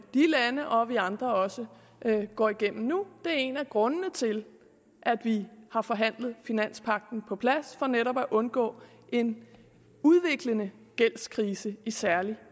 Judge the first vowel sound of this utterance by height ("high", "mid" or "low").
high